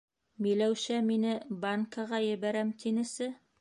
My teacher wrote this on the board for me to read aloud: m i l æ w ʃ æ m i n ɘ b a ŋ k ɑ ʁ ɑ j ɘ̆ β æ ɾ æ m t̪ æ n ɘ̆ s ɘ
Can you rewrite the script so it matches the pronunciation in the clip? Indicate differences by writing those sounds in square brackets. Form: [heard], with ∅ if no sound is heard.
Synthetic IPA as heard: m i l æ w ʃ æ m i n ɘ b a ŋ k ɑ ʁ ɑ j ɘ̆ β æ ɾ æ m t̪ [i] n ɘ̆ s ɘ